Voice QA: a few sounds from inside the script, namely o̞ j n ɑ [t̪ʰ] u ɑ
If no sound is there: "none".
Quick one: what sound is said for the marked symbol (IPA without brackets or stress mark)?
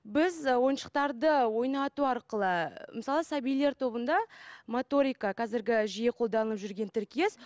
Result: t̪